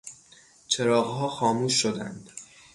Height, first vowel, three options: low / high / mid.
mid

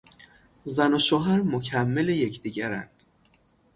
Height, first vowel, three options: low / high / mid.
low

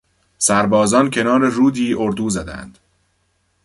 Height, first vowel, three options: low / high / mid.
low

